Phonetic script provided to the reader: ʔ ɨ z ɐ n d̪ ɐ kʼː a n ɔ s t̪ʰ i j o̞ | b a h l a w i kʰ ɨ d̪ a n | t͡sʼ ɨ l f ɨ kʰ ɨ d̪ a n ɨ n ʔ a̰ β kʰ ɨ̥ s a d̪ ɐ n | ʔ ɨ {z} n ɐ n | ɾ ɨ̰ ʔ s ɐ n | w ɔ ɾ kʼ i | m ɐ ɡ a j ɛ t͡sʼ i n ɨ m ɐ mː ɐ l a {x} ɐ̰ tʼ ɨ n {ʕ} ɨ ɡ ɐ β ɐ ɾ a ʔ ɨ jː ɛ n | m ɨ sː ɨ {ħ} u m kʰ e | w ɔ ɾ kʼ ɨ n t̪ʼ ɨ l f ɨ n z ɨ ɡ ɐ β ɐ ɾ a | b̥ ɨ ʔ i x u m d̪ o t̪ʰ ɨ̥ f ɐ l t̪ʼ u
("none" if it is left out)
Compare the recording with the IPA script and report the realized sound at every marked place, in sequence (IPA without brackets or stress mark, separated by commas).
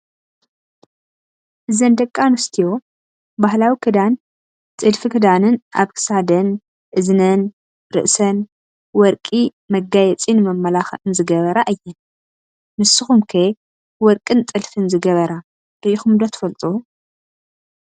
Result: z, x, z, x